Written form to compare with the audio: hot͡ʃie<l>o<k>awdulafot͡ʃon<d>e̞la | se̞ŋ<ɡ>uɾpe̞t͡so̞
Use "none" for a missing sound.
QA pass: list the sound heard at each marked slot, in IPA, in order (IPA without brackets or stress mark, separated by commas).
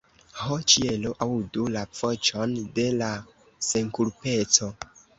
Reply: l, ʔ, d, k